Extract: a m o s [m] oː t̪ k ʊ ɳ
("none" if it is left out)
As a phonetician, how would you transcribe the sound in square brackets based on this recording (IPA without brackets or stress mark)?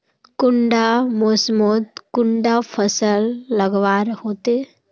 m